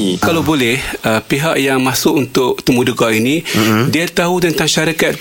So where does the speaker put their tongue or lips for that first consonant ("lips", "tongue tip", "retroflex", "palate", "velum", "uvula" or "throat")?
velum